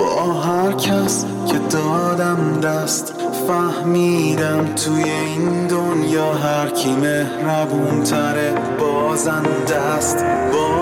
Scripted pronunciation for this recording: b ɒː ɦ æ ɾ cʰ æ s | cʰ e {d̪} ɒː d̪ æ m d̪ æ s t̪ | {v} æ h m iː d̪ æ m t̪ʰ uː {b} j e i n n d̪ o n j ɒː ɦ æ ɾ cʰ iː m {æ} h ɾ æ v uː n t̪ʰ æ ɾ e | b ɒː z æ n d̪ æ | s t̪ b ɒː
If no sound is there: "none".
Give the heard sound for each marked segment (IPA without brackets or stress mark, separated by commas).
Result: d̪, f, none, e